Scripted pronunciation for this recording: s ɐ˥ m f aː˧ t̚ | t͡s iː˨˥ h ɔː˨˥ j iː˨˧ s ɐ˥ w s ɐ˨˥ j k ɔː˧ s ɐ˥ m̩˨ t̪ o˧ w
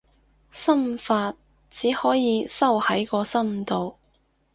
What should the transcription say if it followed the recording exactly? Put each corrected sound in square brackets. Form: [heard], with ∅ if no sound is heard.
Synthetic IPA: s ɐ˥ m f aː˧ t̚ | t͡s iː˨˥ h ɔː˨˥ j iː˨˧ s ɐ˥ w [h] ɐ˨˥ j k ɔː˧ s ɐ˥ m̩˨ t̪ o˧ w